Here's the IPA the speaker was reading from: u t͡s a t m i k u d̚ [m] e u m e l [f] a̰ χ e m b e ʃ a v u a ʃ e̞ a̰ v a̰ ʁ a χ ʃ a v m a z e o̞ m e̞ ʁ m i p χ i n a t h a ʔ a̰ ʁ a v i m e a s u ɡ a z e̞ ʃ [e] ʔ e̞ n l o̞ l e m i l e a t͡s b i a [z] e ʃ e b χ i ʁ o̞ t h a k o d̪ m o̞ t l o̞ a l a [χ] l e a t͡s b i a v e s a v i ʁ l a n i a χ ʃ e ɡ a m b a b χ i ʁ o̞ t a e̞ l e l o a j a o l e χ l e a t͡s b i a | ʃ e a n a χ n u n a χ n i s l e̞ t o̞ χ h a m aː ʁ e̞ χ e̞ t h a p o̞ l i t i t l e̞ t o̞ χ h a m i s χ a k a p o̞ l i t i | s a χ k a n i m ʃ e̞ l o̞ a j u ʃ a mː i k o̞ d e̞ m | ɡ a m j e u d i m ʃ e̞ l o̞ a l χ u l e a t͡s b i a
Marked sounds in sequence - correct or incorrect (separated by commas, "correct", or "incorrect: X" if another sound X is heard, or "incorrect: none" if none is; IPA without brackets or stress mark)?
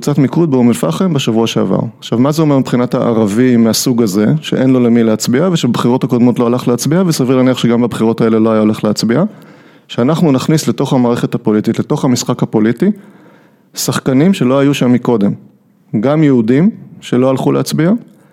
incorrect: b, correct, correct, incorrect: v, correct